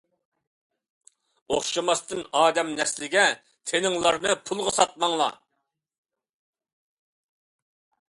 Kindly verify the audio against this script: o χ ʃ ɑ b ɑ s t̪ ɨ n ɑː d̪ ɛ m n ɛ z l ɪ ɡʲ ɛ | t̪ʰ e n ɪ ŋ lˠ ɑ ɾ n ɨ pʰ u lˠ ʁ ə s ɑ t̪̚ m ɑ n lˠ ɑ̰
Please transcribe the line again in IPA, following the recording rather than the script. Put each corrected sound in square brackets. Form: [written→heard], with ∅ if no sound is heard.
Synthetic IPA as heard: o χ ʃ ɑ [b→m] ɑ s t̪ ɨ n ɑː d̪ ɛ m n ɛ [z→s] l ɪ ɡʲ ɛ | t̪ʰ e n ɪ ŋ lˠ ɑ ɾ n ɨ pʰ u lˠ ʁ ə s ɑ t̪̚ m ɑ [n→ŋ] lˠ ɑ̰

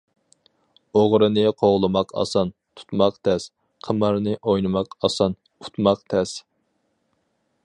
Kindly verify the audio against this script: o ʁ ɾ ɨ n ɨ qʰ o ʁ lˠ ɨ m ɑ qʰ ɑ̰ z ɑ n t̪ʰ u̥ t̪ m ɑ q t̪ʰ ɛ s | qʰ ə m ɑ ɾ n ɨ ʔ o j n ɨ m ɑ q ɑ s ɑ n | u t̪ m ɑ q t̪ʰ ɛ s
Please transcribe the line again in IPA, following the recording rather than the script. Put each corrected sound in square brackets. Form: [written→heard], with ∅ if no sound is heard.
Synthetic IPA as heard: o ʁ ɾ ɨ n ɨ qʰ o ʁ lˠ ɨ m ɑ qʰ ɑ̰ [z→s] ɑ n t̪ʰ u̥ t̪ m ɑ q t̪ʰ ɛ s | qʰ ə m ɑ ɾ n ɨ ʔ o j n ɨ m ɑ q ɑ s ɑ n | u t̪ m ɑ q t̪ʰ ɛ s

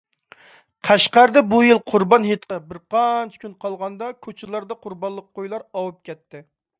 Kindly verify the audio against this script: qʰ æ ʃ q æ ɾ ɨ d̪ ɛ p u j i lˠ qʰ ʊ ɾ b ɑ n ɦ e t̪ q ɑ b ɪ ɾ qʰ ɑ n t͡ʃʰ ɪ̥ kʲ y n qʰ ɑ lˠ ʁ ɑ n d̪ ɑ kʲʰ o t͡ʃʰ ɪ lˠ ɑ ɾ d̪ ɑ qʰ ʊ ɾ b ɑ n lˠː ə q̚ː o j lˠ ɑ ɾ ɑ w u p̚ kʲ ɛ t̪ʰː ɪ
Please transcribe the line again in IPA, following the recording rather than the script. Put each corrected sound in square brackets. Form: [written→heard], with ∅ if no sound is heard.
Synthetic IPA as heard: qʰ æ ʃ q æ ɾ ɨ d̪ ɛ [p→b] u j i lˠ qʰ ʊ ɾ b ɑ n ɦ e t̪ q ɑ b ɪ ɾ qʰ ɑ n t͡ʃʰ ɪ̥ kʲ y n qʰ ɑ lˠ ʁ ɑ n d̪ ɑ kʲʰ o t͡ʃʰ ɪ lˠ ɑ ɾ d̪ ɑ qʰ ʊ ɾ b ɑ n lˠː ə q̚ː o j lˠ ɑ ɾ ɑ w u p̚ kʲ ɛ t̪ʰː ɪ

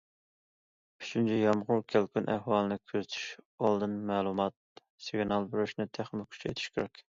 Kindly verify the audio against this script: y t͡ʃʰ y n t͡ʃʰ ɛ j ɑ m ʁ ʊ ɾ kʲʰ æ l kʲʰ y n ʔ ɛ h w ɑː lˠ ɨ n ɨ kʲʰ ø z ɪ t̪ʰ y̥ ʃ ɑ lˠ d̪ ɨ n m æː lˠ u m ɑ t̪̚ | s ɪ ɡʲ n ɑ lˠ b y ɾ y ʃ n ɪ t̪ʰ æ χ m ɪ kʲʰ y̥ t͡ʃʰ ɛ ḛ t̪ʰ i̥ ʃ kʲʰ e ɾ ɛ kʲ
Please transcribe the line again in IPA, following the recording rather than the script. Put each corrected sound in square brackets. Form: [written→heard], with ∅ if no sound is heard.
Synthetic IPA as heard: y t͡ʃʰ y n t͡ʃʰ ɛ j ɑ m ʁ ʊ ɾ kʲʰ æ l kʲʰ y n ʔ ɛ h w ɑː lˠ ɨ n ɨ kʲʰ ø z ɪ t̪ʰ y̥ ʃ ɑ lˠ d̪ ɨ n m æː lˠ u m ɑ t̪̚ | s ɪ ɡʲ n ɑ lˠ b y ɾ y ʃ n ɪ t̪ʰ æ χ m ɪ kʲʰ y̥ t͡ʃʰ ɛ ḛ t̪ʰ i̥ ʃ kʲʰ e ɾ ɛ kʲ

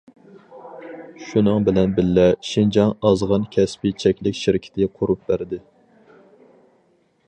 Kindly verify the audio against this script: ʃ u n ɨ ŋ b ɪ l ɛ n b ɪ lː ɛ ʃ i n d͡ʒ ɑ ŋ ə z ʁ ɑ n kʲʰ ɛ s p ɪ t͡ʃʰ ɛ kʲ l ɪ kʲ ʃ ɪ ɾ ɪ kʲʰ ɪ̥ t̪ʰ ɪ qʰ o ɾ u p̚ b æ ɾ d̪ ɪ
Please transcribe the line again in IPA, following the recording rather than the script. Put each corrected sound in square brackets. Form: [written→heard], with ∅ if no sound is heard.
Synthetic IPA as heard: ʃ u n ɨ ŋ b ɪ l ɛ n b ɪ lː ɛ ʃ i n d͡ʒ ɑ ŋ [ə→ɑ] z ʁ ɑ n kʲʰ ɛ s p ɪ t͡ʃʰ ɛ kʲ l ɪ kʲ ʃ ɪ ɾ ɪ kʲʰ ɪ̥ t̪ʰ ɪ qʰ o ɾ u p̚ b æ ɾ d̪ ɪ

